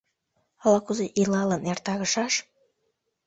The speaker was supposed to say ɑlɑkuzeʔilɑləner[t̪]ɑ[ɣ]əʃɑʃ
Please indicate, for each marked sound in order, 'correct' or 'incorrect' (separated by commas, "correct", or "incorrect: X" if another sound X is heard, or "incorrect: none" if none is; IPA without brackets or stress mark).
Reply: correct, correct